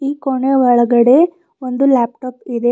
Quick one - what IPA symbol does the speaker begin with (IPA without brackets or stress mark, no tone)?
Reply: iː